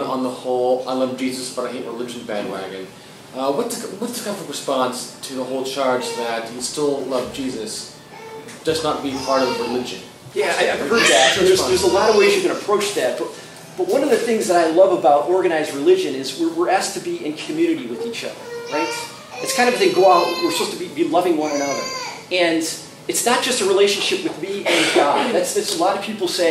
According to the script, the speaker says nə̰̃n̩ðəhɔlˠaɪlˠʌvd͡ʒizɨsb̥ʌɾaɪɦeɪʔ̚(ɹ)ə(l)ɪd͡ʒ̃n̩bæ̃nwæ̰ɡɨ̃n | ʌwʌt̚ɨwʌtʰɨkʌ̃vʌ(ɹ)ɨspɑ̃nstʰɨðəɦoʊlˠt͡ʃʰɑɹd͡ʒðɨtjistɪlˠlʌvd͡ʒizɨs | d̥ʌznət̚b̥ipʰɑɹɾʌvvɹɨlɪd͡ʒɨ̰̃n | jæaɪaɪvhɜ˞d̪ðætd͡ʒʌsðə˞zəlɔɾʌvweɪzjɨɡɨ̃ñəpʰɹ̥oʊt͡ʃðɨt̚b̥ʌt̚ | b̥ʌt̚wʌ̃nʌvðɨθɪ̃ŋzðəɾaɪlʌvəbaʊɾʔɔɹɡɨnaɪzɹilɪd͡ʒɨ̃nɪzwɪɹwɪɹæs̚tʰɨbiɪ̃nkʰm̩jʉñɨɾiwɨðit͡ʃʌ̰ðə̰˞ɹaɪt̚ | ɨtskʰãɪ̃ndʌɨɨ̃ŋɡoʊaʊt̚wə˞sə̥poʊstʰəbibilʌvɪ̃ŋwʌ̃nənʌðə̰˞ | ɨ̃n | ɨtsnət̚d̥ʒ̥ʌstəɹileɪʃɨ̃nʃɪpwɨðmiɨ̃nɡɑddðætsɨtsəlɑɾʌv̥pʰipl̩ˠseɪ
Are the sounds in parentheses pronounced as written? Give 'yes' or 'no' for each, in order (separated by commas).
yes, yes, yes